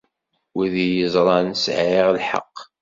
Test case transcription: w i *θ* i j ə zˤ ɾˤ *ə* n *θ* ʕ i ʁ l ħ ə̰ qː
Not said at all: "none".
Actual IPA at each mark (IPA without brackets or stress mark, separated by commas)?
ð, ɑ, s